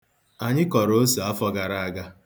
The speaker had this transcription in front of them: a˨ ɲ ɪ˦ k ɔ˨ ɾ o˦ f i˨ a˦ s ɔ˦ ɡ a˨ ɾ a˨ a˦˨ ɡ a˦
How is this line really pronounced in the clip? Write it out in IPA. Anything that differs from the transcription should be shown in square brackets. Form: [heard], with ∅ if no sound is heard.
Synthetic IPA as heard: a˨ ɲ ɪ˦ k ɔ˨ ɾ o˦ [s] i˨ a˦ [f] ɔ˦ ɡ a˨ ɾ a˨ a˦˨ ɡ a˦